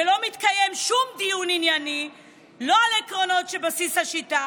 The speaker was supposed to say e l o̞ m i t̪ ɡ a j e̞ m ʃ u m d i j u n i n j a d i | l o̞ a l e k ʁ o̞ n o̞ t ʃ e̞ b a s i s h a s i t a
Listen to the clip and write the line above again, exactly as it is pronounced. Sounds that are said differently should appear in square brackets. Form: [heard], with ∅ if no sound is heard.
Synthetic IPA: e l o̞ m i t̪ [k] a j e̞ m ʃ u m d i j u n i n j a [n] i | l o̞ a l e k ʁ o̞ n o̞ t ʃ e̞ b a s i s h a [ʃ] i t a